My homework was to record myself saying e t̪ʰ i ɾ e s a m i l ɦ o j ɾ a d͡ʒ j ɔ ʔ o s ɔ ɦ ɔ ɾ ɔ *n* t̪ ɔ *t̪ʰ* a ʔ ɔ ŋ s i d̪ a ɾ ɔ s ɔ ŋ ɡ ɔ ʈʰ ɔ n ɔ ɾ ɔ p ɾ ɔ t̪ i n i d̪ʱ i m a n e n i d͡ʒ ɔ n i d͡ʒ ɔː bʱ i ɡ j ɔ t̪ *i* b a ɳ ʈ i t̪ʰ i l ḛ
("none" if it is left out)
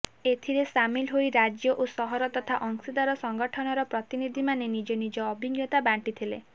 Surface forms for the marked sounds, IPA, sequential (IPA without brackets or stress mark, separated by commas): none, t̪ʰ, a